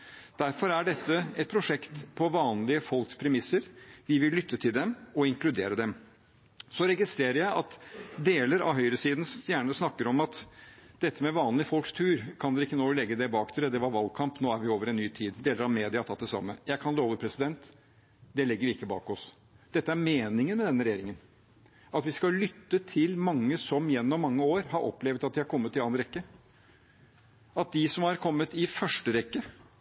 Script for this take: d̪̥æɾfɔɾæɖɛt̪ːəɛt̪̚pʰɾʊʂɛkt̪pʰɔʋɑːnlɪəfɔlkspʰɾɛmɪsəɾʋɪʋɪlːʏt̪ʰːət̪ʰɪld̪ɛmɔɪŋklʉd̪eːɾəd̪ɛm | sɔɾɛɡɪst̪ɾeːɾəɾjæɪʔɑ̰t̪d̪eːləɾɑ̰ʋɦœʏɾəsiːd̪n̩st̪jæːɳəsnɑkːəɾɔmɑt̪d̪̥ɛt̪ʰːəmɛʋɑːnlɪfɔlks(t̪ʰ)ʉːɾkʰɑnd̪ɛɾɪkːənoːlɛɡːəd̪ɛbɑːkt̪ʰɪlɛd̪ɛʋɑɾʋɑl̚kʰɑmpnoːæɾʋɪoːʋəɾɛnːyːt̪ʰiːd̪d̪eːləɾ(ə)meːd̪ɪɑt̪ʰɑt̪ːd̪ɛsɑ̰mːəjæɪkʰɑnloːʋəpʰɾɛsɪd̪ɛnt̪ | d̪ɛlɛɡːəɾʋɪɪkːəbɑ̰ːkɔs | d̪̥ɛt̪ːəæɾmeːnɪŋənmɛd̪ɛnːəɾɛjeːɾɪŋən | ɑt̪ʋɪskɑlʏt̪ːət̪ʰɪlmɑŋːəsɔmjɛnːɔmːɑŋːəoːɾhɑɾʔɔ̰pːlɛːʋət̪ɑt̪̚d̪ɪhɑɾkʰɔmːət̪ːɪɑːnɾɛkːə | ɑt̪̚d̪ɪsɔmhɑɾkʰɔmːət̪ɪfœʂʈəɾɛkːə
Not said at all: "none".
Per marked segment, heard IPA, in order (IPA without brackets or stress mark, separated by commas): t̪ʰ, ɑ